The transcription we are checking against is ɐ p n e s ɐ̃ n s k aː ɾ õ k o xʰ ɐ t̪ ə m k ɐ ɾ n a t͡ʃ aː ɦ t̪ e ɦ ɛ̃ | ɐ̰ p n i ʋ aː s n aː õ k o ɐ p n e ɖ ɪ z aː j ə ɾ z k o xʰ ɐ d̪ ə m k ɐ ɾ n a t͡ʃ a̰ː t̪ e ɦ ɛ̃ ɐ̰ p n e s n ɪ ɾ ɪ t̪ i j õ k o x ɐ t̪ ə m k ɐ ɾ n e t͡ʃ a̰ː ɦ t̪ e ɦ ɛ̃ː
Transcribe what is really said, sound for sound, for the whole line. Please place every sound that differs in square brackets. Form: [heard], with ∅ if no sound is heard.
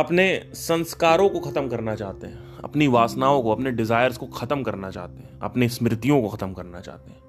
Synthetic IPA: ɐ p n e s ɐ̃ n s k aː ɾ õ k o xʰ ɐ t̪ ə m k ɐ ɾ n a t͡ʃ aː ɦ t̪ e ɦ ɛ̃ | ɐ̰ p n i ʋ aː s n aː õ k o ɐ p n e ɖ ɪ z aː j ə ɾ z k o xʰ ɐ [t̪] ə m k ɐ ɾ n a t͡ʃ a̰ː t̪ e ɦ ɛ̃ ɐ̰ p n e s [m] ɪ ɾ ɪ t̪ i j õ k o x ɐ t̪ ə m k ɐ ɾ n [a] t͡ʃ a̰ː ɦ t̪ e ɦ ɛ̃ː